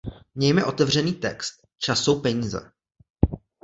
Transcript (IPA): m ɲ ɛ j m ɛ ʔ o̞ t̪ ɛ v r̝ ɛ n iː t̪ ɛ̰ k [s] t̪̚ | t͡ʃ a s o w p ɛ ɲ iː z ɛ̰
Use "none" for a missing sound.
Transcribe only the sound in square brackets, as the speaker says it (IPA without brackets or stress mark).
s